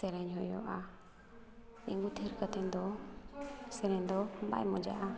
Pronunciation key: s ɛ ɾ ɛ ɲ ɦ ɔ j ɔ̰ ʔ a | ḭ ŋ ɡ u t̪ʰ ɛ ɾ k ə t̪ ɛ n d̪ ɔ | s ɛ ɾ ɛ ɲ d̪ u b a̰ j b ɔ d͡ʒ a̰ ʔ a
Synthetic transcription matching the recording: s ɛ ɾ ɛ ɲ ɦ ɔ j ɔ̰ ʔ a | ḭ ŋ ɡ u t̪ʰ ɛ ɾ k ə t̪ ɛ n d̪ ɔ | s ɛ ɾ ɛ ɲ d̪ ɔ b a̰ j m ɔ d͡ʒ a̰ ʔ a